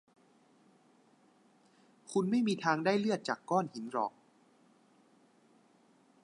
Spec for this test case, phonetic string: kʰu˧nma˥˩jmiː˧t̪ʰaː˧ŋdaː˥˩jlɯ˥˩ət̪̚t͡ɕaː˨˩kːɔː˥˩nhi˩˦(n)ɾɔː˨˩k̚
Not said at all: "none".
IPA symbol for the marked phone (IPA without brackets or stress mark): n